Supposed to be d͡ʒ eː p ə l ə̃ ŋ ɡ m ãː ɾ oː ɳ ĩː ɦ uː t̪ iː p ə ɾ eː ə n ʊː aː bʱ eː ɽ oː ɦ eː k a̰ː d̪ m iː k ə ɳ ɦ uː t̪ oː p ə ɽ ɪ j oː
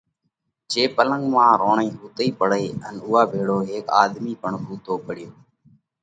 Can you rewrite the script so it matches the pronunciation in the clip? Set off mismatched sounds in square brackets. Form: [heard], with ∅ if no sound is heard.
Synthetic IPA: d͡ʒ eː p ə l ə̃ ŋ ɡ m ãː ɾ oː ɳ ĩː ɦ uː t̪ iː p ə [ɽ] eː ə n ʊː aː bʱ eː ɽ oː ɦ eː k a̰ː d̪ m iː [p] ə ɳ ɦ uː t̪ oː p ə ɽ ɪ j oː